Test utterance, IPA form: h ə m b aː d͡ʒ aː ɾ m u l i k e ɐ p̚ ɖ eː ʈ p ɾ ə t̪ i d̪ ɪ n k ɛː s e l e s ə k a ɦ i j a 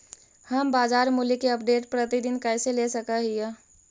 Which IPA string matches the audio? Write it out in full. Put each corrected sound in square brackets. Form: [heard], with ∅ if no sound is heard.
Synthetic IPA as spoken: h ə m b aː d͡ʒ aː ɾ m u l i k e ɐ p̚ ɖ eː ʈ p ɾ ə t̪ i d̪ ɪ n k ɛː s e l e s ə k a ɦ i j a